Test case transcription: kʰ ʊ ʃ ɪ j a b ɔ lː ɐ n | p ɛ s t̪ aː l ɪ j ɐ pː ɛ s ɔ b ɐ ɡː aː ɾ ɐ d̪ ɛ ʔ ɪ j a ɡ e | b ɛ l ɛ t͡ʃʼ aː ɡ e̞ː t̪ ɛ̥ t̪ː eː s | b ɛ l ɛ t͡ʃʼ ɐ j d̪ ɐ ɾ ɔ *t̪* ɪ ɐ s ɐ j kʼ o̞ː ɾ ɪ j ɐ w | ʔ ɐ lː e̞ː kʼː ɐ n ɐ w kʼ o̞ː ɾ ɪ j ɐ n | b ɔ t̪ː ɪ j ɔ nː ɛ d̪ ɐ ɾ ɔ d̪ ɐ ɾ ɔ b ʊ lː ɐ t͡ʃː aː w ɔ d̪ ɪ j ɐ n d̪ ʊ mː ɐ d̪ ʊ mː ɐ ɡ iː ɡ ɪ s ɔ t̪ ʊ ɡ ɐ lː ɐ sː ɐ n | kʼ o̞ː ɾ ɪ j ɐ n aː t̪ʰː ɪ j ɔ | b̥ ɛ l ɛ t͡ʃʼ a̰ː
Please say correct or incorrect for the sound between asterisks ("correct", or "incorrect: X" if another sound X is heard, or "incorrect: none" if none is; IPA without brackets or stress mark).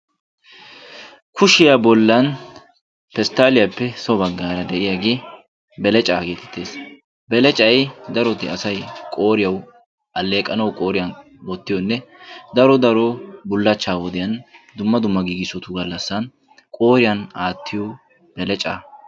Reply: correct